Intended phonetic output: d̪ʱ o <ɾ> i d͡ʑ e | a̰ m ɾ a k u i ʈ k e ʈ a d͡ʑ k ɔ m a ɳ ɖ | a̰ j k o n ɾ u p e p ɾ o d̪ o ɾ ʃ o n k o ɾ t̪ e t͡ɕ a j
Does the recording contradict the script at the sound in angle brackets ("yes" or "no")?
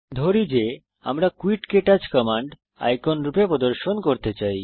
no